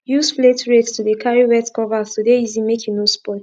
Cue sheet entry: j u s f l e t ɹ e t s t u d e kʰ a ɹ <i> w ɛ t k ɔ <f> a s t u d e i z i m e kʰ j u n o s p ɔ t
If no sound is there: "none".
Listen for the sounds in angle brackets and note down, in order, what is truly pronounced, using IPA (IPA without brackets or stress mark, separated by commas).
i, v